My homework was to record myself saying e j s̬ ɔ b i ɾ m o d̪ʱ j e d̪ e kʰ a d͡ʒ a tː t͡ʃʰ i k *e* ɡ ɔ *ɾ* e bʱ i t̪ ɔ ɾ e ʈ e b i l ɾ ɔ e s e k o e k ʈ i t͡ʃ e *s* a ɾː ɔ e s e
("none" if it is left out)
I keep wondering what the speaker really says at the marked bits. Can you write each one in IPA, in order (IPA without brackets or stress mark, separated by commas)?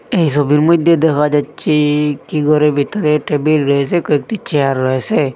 i, ɾ, none